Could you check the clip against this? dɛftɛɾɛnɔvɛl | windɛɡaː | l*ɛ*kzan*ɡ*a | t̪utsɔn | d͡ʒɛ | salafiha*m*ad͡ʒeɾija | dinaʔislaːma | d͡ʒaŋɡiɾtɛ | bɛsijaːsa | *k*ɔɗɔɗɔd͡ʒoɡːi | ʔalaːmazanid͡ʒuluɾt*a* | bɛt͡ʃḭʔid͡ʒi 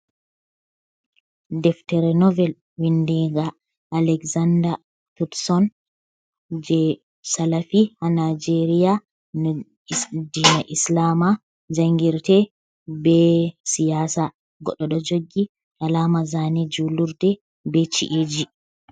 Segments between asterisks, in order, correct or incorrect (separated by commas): correct, incorrect, incorrect, incorrect, incorrect